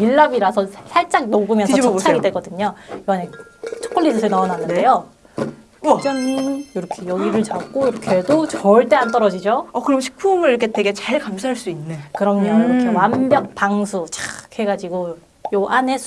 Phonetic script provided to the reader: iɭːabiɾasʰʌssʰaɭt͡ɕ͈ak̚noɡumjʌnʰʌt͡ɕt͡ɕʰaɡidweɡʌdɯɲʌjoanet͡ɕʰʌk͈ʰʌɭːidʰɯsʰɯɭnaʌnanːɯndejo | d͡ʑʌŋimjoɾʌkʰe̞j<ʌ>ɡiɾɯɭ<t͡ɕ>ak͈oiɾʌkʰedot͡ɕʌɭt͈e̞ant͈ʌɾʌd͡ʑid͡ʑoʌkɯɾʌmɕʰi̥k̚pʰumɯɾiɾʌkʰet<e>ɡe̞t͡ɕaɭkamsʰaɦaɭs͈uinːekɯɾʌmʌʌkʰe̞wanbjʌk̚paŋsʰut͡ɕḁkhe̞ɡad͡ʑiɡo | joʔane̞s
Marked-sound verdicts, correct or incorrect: correct, correct, correct

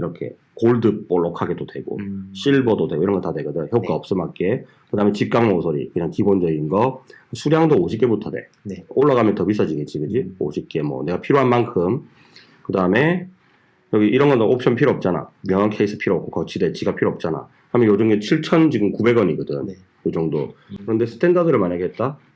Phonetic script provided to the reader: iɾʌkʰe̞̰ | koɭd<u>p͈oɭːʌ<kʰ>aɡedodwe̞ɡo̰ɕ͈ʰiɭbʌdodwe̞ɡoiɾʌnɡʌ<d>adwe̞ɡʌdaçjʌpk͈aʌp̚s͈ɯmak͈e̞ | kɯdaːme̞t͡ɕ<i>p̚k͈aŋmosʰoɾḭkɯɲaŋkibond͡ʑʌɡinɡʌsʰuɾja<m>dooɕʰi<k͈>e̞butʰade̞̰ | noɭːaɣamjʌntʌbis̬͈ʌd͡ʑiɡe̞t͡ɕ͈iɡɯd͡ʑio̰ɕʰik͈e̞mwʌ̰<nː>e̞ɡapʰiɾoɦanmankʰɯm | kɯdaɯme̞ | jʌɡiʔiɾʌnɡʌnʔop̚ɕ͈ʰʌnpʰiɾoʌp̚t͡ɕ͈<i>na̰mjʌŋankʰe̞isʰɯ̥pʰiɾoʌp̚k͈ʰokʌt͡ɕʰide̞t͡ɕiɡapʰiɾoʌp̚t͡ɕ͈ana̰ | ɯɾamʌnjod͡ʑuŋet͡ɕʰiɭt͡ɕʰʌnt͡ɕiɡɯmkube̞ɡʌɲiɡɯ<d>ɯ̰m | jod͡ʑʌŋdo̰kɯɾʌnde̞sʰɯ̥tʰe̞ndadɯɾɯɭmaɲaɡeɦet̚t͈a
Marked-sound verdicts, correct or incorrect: incorrect, correct, incorrect, correct, incorrect, correct, incorrect, incorrect, correct

